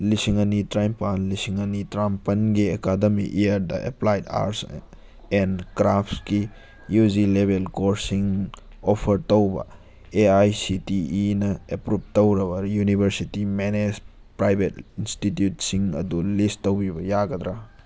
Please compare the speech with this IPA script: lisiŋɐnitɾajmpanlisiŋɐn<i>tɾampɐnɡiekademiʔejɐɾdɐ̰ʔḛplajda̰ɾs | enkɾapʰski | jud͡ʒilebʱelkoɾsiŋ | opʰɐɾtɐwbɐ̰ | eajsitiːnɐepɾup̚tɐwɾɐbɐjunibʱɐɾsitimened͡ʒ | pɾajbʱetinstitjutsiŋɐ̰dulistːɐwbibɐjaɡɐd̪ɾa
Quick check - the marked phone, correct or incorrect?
correct